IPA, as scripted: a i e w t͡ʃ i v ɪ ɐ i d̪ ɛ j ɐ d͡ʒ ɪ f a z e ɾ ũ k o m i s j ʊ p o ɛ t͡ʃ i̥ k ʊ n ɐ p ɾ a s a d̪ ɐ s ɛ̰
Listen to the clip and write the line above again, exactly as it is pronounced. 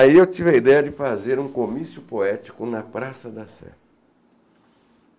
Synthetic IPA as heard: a i e w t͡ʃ i v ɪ ɐ i d̪ ɛ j ɐ d͡ʒ ɪ f a z e ɾ ũ k o m i s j ʊ p o ɛ t͡ʃ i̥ k ʊ n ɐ p ɾ a s ɐ d̪ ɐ s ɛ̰